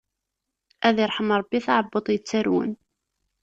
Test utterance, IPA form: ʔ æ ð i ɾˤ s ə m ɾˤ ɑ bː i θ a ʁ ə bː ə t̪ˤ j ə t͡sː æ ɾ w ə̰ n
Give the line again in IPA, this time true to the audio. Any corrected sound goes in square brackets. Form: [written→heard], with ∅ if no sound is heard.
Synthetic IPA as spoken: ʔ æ ð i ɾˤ [s→ħ] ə m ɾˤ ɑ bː i θ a [ʁ→ʕ] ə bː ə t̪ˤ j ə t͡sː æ ɾ w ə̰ n